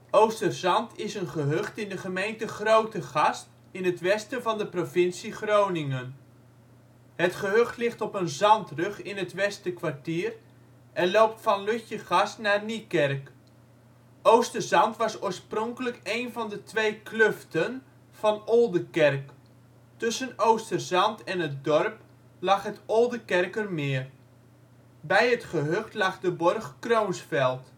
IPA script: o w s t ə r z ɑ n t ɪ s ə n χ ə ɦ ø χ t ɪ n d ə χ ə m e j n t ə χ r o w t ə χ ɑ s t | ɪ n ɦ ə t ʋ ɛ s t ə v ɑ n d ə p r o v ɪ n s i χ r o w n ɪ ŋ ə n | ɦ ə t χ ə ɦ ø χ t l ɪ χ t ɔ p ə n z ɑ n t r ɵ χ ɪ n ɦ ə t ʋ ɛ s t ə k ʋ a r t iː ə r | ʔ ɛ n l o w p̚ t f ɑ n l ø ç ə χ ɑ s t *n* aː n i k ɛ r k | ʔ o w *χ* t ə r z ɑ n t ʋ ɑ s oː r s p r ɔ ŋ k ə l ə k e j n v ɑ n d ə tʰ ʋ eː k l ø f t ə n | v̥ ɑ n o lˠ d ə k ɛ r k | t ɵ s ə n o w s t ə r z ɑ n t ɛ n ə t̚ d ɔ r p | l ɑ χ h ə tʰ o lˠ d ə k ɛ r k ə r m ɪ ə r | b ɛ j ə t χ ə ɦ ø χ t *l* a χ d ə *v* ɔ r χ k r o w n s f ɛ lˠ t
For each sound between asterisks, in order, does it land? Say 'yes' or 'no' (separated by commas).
yes, no, yes, no